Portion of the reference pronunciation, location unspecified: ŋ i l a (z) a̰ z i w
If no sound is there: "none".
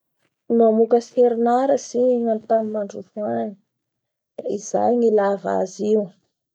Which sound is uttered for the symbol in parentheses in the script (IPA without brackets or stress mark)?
v